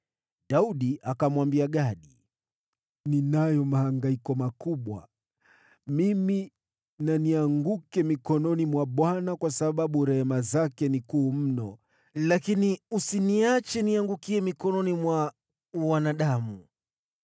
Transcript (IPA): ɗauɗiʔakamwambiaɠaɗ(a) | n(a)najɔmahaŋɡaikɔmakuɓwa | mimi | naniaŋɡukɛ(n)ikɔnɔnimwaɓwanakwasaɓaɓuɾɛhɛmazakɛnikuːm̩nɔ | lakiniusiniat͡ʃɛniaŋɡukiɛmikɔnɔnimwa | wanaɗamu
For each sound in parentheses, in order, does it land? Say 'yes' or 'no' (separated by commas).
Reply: no, no, no